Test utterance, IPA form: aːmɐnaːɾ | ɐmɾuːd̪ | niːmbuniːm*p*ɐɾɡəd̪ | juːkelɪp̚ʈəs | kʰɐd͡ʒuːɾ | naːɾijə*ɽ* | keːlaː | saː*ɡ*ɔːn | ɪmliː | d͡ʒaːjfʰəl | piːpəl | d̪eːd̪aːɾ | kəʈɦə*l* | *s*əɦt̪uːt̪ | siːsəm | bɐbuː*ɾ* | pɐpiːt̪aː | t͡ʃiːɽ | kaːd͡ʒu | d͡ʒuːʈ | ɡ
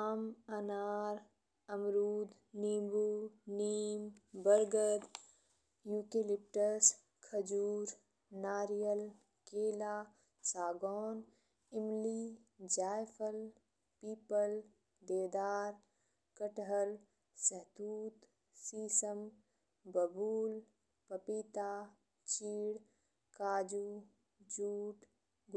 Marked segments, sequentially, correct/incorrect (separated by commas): incorrect, incorrect, correct, correct, correct, incorrect